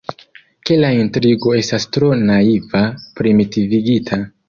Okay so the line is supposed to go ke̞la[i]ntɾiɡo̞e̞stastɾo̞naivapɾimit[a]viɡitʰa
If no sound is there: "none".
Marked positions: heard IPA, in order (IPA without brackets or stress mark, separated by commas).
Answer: i, i